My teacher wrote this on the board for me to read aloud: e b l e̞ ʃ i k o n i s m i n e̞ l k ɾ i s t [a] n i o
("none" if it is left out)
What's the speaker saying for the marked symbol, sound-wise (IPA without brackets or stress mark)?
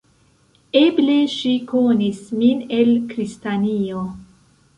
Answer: a